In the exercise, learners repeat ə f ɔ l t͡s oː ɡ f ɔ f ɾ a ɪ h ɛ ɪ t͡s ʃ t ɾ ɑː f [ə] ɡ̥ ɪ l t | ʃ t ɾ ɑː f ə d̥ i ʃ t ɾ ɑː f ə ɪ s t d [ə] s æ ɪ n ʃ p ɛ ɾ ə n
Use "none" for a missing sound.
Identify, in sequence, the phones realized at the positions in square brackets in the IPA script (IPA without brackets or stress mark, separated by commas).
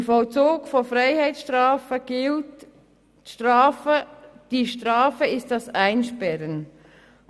ə, ɑ